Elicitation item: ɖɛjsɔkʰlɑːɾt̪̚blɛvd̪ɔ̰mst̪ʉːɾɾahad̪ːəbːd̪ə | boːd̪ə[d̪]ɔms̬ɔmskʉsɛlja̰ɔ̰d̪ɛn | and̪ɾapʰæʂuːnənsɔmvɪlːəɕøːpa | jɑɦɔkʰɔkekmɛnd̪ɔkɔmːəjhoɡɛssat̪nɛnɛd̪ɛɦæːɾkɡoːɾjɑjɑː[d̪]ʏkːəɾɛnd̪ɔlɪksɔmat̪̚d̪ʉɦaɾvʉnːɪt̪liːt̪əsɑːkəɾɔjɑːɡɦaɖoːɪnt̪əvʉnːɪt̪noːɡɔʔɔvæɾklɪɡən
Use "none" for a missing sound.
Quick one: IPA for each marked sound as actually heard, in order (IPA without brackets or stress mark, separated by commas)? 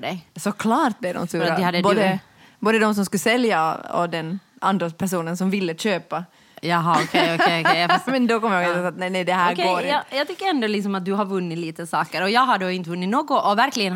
d̪, t̪